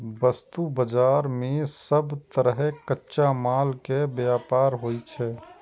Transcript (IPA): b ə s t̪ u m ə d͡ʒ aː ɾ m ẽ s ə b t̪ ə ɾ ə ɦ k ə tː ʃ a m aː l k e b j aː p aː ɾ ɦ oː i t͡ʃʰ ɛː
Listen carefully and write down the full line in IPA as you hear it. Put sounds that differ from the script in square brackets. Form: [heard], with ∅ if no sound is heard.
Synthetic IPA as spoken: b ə s t̪ u [b] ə d͡ʒ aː ɾ m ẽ s ə b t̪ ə ɾ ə ɦ k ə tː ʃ a m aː l k e b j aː p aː ɾ ɦ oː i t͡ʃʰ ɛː

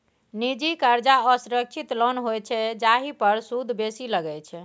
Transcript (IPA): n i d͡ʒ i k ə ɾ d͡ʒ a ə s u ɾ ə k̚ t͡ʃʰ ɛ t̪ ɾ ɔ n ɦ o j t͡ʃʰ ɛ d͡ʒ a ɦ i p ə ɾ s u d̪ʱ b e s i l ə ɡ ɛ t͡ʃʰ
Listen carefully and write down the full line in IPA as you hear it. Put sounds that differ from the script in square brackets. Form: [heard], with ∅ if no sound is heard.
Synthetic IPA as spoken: n i d͡ʒ i k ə ɾ d͡ʒ a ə s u ɾ ə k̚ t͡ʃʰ [i] t̪ [l] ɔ n ɦ o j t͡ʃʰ ɛ d͡ʒ a ɦ i p ə ɾ s u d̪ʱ b e s i l ə ɡ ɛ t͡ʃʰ

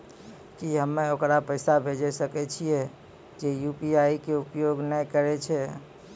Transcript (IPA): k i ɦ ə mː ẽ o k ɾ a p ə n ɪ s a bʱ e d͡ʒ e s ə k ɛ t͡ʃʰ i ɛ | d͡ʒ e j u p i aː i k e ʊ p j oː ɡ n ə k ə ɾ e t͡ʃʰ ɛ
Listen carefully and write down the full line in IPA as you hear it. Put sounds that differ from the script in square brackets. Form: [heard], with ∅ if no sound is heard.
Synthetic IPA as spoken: k i ɦ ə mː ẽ o k ɾ a p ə [∅] ɪ s a bʱ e d͡ʒ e s ə k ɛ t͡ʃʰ i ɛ | d͡ʒ e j u p i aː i k e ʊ p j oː ɡ n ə k ə ɾ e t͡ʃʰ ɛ

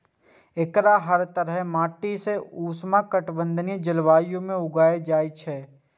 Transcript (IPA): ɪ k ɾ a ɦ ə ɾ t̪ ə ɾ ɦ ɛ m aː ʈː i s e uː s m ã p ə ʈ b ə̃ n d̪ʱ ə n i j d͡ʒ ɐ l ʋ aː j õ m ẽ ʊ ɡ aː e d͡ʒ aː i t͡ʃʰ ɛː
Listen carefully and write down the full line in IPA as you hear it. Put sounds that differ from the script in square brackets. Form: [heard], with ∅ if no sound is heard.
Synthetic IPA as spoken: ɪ k ɾ a ɦ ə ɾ t̪ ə ɾ ɦ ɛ m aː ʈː i s e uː s m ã [k] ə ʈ b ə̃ n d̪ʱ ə n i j d͡ʒ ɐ l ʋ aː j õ m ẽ ʊ ɡ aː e d͡ʒ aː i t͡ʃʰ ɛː

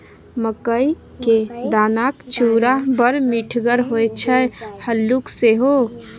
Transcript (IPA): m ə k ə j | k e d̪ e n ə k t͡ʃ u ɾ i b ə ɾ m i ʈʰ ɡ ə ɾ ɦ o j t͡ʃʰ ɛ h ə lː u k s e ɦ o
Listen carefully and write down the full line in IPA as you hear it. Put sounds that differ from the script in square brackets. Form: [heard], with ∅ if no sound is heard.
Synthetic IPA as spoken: m ə k ə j | k e d̪ [a] n [a] k t͡ʃ u ɾ [a] b ə ɾ m i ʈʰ ɡ ə ɾ ɦ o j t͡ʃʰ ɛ h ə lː u k s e ɦ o

